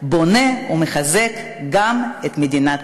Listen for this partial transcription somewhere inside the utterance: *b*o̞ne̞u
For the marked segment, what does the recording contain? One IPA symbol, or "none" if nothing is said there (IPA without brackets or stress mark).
b